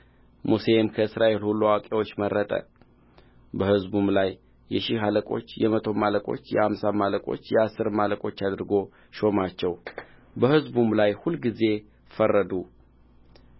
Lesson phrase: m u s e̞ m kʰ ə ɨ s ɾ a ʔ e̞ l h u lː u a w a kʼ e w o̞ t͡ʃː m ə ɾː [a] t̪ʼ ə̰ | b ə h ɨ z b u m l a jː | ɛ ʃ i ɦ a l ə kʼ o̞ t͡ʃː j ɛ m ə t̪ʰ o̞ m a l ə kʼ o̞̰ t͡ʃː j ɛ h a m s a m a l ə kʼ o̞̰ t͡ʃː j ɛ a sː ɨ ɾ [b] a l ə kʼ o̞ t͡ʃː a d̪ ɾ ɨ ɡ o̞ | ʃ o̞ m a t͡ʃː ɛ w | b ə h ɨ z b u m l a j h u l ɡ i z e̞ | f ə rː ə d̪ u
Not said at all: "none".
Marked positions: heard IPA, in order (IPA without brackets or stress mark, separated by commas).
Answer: ə, m